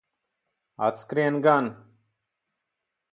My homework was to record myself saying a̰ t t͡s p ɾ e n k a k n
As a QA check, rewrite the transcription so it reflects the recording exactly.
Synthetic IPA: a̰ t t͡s k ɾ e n ɡ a n